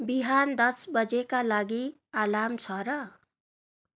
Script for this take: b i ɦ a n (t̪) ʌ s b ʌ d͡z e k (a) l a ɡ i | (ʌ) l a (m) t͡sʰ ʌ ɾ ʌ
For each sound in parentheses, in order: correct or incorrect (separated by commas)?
incorrect, correct, incorrect, correct